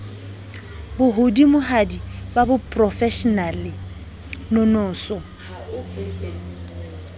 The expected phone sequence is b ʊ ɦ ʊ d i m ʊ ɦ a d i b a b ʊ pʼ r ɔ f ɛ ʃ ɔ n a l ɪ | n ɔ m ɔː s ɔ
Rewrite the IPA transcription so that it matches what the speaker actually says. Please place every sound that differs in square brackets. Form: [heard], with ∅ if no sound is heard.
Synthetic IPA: b ʊ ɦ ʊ d i m ʊ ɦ a d i b a b ʊ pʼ r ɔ f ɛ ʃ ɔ n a l ɪ | n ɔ [n] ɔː s ɔ